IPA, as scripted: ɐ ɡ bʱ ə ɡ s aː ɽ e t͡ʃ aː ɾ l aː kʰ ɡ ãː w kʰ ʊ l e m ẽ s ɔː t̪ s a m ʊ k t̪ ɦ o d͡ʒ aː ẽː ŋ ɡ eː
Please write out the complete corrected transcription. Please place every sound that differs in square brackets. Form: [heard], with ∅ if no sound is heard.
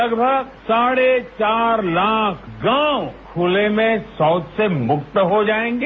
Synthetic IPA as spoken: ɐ ɡ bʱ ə ɡ s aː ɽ e t͡ʃ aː ɾ l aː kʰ ɡ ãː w kʰ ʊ l e m ẽ s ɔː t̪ s [e] m ʊ k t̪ ɦ o d͡ʒ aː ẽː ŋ ɡ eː